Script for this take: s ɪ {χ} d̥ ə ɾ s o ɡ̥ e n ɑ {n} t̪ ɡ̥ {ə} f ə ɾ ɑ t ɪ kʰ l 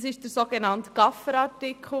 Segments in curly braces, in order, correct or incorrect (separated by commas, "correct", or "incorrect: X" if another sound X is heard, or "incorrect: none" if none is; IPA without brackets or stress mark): incorrect: ʃ, correct, incorrect: ɑ